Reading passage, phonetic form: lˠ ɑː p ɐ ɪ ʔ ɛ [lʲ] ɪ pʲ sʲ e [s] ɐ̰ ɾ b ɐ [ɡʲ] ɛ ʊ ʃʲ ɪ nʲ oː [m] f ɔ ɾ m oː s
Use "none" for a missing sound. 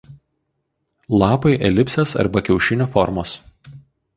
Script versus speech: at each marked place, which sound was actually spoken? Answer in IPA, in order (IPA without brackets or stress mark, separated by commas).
lʲ, s, kʲ, none